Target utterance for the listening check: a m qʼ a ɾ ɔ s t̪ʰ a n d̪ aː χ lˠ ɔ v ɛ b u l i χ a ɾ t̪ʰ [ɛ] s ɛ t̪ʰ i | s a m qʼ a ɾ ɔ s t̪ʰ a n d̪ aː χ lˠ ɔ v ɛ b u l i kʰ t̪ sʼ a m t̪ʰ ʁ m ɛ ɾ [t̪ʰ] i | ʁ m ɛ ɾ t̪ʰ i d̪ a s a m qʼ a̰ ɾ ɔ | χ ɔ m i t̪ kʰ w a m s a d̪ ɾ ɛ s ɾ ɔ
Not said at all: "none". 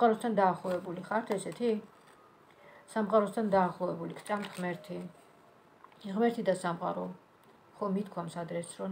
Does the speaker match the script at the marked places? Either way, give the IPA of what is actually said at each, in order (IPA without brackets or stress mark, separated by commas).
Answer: ɛ, t̪ʰ